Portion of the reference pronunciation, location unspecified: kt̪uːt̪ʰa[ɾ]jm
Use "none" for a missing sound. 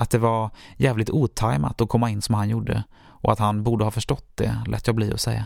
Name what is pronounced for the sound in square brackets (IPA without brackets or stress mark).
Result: none